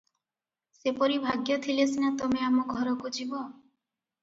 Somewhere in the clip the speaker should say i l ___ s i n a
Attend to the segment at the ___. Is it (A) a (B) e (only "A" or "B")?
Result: B